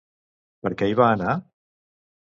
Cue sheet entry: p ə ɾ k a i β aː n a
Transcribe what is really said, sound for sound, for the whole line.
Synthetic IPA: p ə ɾ k ɛ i β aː n a